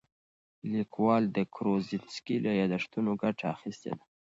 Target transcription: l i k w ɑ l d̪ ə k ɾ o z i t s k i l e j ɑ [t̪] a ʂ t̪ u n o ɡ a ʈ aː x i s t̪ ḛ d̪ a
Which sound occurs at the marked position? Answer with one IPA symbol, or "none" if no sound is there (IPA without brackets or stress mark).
d̪